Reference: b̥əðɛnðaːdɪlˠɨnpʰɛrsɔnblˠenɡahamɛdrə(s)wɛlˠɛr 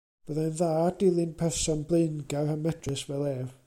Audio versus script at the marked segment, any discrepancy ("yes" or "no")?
no